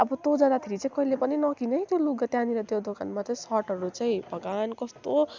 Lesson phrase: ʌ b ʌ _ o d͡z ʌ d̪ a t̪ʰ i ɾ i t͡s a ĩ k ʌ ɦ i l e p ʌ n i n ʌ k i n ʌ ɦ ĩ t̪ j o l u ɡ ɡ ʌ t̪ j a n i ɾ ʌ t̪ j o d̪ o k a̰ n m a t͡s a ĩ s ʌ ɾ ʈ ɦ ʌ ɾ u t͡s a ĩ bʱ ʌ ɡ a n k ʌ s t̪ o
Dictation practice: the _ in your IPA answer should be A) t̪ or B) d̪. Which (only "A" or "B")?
A